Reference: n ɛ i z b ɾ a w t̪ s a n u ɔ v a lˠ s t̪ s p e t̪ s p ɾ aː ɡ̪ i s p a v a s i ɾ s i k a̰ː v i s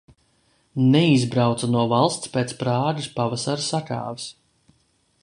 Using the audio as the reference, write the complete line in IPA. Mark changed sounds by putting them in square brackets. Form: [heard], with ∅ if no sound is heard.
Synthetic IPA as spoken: n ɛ i z b ɾ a w t̪ s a n u ɔ v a lˠ s t̪ s p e t̪ s p ɾ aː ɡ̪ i s p a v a s [a] ɾ s [a] k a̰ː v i s